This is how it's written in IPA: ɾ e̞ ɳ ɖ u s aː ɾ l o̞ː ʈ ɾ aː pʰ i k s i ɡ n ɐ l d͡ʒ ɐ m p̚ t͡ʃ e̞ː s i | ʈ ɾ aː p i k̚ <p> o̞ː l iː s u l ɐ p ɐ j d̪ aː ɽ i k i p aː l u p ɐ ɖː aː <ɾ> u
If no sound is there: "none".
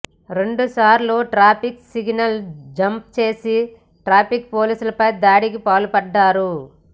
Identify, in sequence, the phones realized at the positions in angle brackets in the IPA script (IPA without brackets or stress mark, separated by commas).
p, ɾ